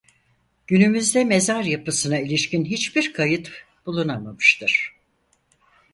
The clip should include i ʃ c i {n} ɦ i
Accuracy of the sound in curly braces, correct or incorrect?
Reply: correct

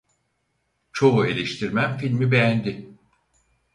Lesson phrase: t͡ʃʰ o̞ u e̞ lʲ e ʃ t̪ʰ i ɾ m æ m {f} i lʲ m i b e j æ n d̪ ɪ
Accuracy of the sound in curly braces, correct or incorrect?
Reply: correct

